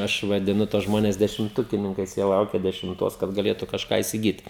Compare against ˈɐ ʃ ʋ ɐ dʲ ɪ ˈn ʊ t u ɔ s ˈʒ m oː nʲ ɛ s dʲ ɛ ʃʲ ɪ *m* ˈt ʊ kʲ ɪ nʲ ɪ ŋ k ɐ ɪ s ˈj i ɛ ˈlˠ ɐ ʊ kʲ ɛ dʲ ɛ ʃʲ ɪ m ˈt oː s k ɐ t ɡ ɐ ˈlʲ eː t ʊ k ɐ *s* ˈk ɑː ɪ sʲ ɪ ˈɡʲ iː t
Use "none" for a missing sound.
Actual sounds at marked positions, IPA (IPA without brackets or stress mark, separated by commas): m, ʃ